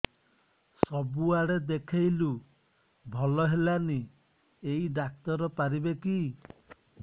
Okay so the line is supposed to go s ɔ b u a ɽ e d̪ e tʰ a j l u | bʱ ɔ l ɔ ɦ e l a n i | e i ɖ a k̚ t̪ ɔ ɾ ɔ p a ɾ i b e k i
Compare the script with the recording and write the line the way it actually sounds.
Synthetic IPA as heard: s ɔ b u a ɽ e d̪ e kʰ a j l u | bʱ ɔ l ɔ ɦ e l a n i | e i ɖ a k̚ t̪ ɔ ɾ ɔ p a ɾ i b e k i